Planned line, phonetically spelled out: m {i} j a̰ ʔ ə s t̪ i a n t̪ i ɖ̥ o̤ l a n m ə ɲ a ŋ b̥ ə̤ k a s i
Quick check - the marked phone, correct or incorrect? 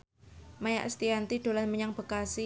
incorrect